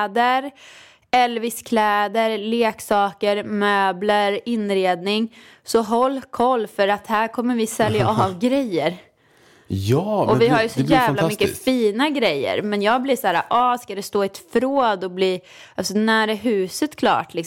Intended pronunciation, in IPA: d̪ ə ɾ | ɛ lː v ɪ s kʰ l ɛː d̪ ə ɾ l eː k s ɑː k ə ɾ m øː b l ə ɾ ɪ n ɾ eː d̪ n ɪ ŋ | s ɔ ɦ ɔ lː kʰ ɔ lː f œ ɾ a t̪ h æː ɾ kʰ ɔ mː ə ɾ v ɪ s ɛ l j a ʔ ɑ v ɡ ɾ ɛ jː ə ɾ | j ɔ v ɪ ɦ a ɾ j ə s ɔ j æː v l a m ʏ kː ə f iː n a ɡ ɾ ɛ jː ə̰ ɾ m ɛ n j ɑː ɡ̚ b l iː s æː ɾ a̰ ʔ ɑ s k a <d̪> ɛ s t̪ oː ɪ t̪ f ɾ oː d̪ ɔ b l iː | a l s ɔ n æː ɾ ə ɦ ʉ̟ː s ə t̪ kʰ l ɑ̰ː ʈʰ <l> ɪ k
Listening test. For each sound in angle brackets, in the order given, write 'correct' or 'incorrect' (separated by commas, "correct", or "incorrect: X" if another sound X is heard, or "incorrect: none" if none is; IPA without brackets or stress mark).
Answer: correct, correct